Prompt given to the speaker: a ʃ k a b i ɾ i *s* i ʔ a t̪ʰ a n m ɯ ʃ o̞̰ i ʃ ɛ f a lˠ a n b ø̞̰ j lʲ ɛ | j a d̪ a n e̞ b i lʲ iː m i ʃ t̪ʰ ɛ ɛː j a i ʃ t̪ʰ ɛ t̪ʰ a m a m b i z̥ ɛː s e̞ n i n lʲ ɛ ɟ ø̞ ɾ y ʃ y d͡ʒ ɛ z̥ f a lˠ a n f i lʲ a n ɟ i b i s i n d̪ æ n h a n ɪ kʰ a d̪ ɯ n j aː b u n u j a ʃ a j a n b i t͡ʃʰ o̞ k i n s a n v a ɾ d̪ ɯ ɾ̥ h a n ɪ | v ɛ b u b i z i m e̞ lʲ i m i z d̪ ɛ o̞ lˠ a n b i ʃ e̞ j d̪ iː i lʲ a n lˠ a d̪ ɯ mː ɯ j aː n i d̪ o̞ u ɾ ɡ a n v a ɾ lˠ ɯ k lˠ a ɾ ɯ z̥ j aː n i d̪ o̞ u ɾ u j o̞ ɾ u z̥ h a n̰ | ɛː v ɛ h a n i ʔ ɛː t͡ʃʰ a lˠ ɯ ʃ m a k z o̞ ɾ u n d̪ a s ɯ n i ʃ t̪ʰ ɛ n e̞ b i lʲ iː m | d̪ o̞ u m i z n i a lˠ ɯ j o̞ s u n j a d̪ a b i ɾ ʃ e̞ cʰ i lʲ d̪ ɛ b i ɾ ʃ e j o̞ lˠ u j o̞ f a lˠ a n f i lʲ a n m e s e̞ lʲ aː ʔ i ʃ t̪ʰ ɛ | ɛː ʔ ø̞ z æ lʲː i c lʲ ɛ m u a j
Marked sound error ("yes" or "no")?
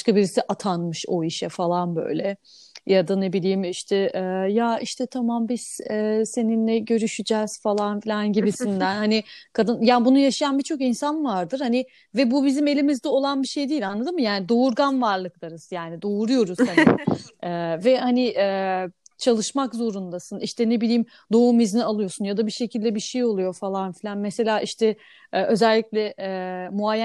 no